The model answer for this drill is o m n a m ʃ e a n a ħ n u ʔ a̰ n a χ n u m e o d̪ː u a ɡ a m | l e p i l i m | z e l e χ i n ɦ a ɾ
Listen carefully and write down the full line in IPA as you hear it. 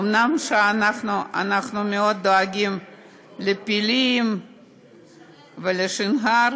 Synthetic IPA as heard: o m n a m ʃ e a n a χ n u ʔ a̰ n a χ n u m e o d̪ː o a ɡ i m | l e p i l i m | v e l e ʃ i n ɦ a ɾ